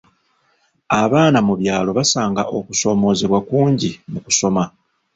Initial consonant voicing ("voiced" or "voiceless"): voiced